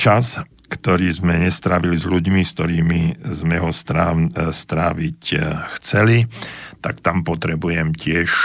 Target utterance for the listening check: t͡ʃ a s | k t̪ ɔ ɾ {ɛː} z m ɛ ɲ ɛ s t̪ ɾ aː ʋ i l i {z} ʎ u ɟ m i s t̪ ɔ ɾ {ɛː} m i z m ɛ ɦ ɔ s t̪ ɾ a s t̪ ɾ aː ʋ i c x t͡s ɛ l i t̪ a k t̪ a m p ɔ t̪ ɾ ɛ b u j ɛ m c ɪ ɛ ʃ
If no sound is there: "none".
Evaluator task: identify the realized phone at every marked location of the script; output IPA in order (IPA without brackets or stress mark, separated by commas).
iː, z, iː